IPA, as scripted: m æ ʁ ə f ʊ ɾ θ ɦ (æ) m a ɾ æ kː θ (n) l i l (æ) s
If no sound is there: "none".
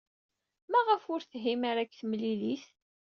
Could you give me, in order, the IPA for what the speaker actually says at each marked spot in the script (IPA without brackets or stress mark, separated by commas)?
i, m, i